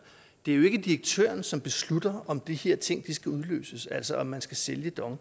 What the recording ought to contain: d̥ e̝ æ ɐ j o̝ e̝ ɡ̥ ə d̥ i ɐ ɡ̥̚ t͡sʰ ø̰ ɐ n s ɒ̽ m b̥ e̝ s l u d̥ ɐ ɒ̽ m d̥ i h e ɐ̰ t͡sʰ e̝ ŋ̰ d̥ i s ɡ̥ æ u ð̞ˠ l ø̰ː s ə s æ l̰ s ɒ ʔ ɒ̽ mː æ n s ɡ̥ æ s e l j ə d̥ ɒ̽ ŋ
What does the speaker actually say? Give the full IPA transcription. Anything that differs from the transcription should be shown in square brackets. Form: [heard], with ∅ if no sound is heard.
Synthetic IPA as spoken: d̥ e̝ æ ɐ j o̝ e̝ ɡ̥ ə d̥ i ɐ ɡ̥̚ t͡sʰ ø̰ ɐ n s ɒ̽ m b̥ e̝ s l u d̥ ɐ ɒ̽ m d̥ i h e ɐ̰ t͡sʰ e̝ ŋ̰ d̥ i s ɡ̥ æ u ð̞ˠ l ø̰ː s ə s æ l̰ s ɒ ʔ ɒ̽ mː æ n s ɡ̥ æ s e l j ə d̥ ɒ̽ ŋ